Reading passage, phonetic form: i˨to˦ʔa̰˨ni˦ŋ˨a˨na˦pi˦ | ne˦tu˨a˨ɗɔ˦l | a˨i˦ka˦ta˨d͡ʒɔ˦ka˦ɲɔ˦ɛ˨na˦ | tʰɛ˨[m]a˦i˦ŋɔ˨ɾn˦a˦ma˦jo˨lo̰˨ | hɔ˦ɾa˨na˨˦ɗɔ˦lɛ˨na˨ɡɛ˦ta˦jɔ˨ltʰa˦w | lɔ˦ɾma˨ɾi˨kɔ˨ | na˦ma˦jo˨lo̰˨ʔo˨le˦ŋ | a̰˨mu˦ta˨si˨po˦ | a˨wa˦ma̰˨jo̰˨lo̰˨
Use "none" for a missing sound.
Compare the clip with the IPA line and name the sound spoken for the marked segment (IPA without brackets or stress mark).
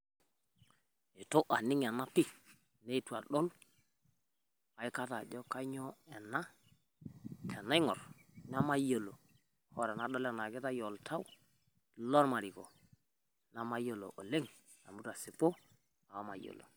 n